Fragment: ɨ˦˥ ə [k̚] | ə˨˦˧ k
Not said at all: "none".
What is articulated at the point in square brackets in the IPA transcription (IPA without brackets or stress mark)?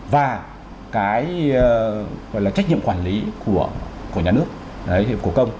k̚